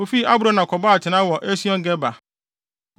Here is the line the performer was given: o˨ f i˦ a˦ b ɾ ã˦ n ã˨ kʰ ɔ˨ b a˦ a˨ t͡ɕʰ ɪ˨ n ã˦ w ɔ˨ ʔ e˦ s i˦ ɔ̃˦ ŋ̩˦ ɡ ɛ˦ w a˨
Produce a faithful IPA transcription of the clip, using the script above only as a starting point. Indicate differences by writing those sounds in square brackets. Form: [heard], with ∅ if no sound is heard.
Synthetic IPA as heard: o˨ f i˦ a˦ b ɾ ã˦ n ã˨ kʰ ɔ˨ b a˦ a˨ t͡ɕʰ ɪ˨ n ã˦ w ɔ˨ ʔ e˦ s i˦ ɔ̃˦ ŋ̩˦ ɡ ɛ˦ [b] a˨